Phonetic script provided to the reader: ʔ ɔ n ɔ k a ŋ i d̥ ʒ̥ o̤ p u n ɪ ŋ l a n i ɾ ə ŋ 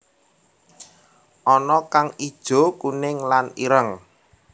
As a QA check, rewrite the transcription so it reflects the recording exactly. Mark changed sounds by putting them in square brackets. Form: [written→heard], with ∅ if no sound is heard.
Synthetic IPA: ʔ ɔ n ɔ k a ŋ i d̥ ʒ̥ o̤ [p→k] u n ɪ ŋ l a n i ɾ ə ŋ